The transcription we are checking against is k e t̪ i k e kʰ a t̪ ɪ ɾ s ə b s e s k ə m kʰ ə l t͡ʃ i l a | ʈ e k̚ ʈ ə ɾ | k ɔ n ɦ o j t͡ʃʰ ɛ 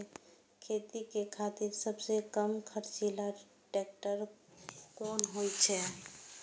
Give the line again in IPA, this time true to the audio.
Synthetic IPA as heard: kʰ e t̪ i k e kʰ a t̪ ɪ ɾ s ə b s e k ə m kʰ ə ɾ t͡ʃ i l a | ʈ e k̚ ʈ ə ɾ | k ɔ n ɦ o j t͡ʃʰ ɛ

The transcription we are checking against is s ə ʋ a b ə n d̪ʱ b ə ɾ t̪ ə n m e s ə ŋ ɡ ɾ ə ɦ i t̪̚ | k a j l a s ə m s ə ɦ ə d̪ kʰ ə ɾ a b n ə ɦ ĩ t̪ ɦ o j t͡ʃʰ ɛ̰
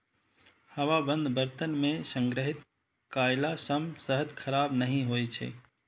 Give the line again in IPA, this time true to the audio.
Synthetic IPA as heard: h ə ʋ a b ə n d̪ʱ b ə ɾ t̪ ə n m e s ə ŋ ɡ ɾ ə ɦ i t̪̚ | k a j l a s ə m s ə ɦ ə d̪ kʰ ə ɾ a b n ə ɦ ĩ ɦ o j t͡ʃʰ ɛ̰

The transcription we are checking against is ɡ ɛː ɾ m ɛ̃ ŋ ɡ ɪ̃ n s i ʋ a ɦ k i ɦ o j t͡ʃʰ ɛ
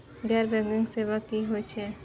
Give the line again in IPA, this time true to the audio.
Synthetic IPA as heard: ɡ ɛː ɾ b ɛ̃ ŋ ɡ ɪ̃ ŋ s e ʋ a k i ɦ o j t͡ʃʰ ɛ

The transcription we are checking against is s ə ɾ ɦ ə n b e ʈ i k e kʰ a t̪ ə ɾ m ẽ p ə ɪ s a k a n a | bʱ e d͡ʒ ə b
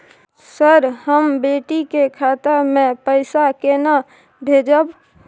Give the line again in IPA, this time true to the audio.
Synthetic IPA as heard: s ə ɾ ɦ ə m b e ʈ i k e kʰ a t̪ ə ɾ m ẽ p ə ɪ s a k e n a | bʱ e d͡ʒ ə b

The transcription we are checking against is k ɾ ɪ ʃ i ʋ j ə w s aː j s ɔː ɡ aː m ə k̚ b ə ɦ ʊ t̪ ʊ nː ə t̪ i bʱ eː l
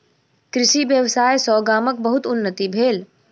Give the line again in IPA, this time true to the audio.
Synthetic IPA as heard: k ɾ ɪ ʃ i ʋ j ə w s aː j s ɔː ɡ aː m ə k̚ b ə ɦ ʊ t̪ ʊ nː ə t̪ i bʱ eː l

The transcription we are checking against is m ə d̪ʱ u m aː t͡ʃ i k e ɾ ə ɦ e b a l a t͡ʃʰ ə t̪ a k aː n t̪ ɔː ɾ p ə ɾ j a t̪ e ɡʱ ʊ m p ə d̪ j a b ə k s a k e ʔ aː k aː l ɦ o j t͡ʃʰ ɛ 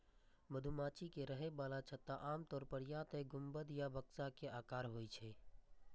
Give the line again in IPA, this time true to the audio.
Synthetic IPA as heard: m ə d̪ʱ u m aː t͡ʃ i k e ɾ ə ɦ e b a l a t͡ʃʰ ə t̪ a ʔ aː m t̪ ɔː ɾ p ə ɾ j a t̪ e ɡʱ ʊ m b ə d̪ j a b ə k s a k e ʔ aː k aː ɾ ɦ o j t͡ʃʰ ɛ

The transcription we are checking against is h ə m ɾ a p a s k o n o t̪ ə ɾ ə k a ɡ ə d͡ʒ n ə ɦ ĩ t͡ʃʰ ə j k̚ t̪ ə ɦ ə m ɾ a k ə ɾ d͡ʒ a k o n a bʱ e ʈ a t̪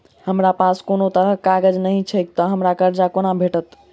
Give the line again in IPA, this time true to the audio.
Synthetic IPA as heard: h ə m ɾ a p a s k o n o t̪ ə ɾ ə k a ɡ ə d͡ʒ n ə ɦ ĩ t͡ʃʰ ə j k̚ t̪ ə ɦ ə m ɾ a k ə ɾ d͡ʒ a k o n a bʱ e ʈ ə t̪

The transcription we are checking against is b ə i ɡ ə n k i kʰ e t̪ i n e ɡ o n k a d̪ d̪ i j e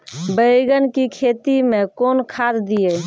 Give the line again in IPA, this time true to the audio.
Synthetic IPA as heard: b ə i ɡ ə n k i kʰ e t̪ i m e k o n kʰ a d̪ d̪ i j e

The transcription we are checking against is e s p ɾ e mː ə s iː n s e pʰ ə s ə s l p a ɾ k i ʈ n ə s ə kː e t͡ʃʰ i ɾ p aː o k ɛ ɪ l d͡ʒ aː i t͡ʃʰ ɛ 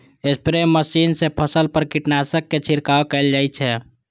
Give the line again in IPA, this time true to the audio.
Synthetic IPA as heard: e s p ɾ e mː ə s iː n s e pʰ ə s ə l p ə ɾ k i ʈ n a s ə kː e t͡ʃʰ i ɾ k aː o k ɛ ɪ l d͡ʒ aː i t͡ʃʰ ɛ

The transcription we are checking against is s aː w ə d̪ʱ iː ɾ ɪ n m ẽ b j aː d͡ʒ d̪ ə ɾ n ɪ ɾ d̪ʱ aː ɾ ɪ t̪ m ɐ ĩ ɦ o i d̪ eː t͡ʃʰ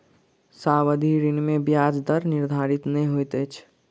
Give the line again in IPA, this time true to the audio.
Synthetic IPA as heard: s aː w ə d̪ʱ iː ɾ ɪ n m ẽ b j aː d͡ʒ d̪ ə ɾ n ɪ ɾ d̪ʱ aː ɾ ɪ t̪ n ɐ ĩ ɦ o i t̪ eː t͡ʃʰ

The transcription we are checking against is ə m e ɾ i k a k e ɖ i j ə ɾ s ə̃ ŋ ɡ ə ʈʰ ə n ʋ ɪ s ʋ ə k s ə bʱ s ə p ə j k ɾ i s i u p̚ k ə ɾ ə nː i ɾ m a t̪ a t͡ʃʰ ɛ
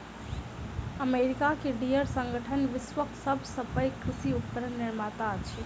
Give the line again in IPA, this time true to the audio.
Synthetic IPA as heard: ə m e ɾ i k a k e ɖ i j ə ɾ s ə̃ ŋ ɡ ə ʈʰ ə n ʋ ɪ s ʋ ə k s ə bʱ s ə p ə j k ɾ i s i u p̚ k ə ɾ ə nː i ɾ m a t̪ a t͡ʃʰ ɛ

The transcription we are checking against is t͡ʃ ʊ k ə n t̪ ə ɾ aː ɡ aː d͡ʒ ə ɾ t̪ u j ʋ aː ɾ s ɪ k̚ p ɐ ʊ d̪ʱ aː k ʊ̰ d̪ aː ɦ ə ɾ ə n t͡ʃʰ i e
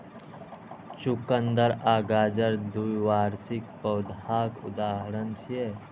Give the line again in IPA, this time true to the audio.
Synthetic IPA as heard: t͡ʃ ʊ k ə n d̪ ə ɾ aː ɡ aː d͡ʒ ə ɾ d̪ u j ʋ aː ɾ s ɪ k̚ p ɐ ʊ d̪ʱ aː k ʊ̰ d̪ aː ɦ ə ɾ ə n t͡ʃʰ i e

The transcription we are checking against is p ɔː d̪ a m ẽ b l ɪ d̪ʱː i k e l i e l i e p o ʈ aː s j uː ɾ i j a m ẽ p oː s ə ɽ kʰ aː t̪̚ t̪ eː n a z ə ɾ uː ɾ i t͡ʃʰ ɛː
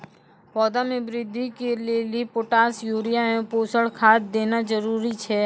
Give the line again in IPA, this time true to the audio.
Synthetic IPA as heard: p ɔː d̪ a m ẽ b ɾ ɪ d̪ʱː i k e l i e l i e p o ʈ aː s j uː ɾ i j a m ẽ p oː s ə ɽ kʰ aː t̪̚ d̪ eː n a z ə ɾ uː ɾ i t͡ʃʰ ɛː

